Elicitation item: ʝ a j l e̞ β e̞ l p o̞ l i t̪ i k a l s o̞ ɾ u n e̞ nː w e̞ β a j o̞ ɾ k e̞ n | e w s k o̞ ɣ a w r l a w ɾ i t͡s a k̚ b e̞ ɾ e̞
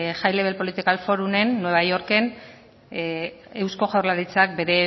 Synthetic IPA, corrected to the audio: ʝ a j l e̞ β e̞ l p o̞ l i t̪ i k a l f o̞ ɾ u n e̞ nː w e̞ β a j o̞ ɾ k e̞ n | e w s k o̞ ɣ a w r l a ɾ i t͡s a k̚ b e̞ ɾ e̞